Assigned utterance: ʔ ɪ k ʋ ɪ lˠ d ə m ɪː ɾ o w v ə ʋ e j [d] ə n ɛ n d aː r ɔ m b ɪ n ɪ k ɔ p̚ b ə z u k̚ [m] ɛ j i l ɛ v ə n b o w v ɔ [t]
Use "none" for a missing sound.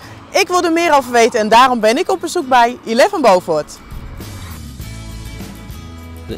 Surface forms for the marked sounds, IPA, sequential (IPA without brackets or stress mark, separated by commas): t, b, t